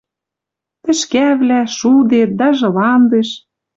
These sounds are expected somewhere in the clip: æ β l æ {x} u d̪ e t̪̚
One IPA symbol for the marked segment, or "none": ʃ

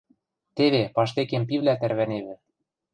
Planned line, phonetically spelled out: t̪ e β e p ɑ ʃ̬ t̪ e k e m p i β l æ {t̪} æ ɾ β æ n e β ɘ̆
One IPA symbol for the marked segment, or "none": t̪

